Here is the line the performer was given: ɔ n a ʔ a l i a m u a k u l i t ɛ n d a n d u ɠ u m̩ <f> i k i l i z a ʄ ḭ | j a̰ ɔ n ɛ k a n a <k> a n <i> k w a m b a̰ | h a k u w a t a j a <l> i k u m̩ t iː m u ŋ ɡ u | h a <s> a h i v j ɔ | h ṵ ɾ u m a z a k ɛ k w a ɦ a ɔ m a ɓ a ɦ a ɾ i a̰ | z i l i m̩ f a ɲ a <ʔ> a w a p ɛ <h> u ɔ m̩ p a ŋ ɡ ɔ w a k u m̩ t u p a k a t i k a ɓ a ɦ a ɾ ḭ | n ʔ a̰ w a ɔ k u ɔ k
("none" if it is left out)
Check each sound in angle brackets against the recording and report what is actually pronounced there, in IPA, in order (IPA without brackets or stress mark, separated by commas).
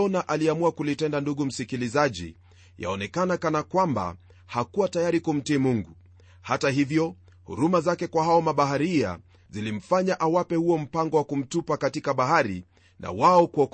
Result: s, k, a, ɾ, t, ʔ, h